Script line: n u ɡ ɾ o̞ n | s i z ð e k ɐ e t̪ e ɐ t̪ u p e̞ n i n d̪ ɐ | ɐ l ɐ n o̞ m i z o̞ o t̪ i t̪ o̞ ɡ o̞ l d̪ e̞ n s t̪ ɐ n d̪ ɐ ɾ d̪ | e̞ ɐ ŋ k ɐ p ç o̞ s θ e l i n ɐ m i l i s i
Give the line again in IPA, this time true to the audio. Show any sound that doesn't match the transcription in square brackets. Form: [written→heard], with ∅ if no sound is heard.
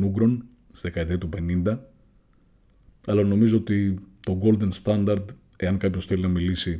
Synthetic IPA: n u ɡ ɾ o̞ n | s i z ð e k ɐ e t̪ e ɐ t̪ u p e̞ n i n d̪ ɐ | ɐ l ɐ n o̞ m i z o̞ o t̪ i t̪ o̞ ɡ o̞ l d̪ e̞ n s t̪ ɐ n d̪ ɐ ɾ d̪ | e̞ ɐ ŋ k ɐ p ç o̞ s θ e l i n ɐ m i l i s i